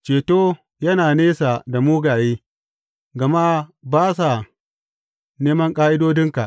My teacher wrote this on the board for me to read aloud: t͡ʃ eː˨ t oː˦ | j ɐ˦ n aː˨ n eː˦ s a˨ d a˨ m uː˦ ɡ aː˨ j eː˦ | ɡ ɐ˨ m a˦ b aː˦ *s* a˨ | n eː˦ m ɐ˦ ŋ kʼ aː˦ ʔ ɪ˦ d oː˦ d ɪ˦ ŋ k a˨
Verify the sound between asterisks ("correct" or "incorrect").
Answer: correct